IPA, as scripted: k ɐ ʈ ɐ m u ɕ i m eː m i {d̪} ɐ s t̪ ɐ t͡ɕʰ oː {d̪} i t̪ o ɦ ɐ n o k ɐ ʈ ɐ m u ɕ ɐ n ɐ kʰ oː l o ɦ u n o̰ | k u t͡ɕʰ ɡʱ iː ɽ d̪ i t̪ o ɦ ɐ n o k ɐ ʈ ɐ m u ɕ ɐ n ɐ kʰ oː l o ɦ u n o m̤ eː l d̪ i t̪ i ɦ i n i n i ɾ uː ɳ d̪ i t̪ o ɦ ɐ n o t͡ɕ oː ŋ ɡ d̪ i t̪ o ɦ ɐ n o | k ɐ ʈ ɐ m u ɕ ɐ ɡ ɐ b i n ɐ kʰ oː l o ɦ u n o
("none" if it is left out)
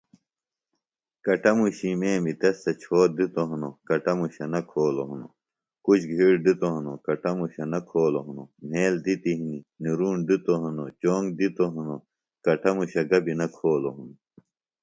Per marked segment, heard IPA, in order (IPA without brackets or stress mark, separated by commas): t̪, d̪